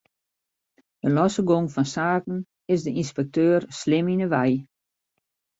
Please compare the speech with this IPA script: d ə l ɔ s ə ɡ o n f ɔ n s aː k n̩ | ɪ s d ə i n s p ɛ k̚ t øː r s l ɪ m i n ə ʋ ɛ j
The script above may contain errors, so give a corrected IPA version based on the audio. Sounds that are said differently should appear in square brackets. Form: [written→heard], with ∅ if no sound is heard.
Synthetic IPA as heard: d ə l ɔ s ə ɡ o [n→ŋ] f ɔ n s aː k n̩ | ɪ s d ə i n s p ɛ k̚ t øː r s l ɪ m i n ə ʋ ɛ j